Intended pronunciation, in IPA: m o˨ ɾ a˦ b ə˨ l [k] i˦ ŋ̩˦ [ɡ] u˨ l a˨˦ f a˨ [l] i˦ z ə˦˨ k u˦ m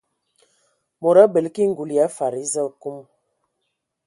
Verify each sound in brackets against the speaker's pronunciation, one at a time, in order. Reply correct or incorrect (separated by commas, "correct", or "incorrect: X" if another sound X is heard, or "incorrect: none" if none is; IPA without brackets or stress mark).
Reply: correct, correct, incorrect: ɾ